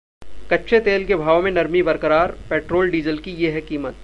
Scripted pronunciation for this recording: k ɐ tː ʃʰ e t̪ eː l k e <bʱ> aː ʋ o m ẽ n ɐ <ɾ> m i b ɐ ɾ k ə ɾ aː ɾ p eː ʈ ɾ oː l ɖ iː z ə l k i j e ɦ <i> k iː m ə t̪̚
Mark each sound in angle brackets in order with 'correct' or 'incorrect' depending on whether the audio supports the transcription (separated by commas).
correct, correct, incorrect